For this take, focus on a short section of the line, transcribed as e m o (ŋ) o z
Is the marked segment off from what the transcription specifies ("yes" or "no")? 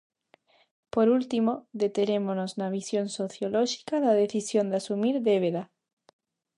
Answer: yes